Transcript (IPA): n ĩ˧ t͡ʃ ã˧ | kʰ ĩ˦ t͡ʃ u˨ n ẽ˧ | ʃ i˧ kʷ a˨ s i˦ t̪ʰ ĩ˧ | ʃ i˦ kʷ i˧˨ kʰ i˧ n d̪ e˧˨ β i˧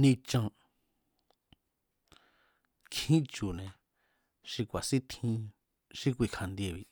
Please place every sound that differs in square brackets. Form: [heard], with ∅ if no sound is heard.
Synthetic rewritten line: n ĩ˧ t͡ʃ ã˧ | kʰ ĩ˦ t͡ʃ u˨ n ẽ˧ | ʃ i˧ kʷ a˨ s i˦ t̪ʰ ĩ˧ | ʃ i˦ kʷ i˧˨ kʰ [a˧] n d̪ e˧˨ β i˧